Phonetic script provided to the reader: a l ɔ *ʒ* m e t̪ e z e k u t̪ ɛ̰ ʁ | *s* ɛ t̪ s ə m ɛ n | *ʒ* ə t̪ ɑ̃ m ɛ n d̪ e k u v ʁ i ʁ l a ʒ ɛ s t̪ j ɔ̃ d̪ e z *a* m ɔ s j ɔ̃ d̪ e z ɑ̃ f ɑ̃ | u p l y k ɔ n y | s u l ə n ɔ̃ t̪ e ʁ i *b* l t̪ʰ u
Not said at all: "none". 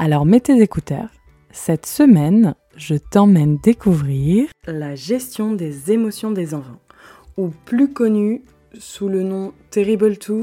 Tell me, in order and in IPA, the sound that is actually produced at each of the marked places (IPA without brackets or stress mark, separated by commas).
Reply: ʁ, s, ʒ, e, b